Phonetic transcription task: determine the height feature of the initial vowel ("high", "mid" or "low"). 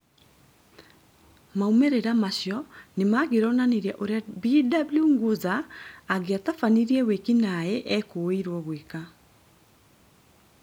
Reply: low